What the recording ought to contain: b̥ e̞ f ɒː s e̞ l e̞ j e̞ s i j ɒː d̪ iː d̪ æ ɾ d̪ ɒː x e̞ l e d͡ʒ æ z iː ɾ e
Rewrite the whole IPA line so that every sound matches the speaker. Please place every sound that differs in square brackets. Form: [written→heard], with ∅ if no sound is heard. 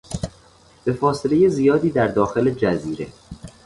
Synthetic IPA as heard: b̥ e̞ f ɒː s e̞ l e̞ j e̞ [s→z] i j ɒː d̪ iː d̪ æ ɾ d̪ ɒː x e̞ l e d͡ʒ æ z iː ɾ e

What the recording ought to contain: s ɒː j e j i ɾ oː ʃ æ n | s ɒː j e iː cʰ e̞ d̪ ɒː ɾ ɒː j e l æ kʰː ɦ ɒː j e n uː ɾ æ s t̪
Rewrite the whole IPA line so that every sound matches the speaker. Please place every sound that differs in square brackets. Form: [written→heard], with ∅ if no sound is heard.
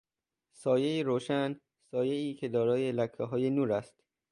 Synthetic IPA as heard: s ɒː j e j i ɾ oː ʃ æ n | s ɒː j e iː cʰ e̞ d̪ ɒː ɾ ɒː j e l æ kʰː ɦ ɒː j e n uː ɾ æ s t̪

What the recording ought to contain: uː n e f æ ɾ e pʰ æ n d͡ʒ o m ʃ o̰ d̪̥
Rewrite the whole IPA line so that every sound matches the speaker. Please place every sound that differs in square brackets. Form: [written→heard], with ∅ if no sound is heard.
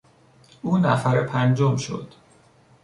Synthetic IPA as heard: uː n [e→æ] f æ ɾ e pʰ æ n d͡ʒ o m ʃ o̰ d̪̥

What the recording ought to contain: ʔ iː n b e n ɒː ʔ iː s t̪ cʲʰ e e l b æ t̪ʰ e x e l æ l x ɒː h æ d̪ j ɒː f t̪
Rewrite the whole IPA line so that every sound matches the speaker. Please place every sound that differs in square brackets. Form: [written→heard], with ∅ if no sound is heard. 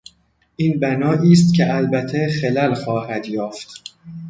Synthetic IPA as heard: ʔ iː n b [e→æ] n ɒː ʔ iː s t̪ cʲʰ e [e→æ] l b æ t̪ʰ e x e l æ l x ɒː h æ d̪ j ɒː f t̪

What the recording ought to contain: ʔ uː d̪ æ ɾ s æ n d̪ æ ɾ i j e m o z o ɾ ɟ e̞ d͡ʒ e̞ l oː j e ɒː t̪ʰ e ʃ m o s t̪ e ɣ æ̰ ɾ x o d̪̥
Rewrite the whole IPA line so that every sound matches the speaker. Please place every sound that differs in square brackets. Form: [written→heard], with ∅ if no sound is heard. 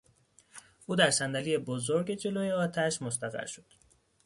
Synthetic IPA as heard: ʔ uː d̪ æ ɾ s æ n d̪ æ [ɾ→l] i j e [m→b] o z o ɾ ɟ e̞ d͡ʒ e̞ l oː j e ɒː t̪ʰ [e→æ] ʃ m o s t̪ [e→æ] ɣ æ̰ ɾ [x→ʃ] o d̪̥

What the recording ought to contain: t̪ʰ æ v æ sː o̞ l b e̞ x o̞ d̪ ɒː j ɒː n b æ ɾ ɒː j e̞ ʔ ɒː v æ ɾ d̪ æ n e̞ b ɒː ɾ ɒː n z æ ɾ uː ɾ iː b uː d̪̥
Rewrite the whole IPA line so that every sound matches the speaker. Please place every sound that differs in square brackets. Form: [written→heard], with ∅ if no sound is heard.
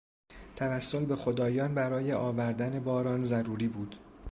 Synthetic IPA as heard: t̪ʰ æ v æ sː o̞ l b e̞ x o̞ d̪ ɒː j ɒː n b æ ɾ ɒː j e̞ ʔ ɒː v æ ɾ d̪ æ n e̞ b ɒː ɾ ɒː n z æ ɾ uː ɾ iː b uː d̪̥

